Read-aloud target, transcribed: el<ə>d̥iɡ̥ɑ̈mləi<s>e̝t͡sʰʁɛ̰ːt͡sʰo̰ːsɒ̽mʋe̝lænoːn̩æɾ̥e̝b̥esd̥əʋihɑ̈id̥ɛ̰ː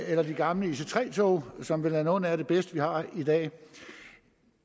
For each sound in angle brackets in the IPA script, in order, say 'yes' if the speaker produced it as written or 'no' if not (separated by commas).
no, yes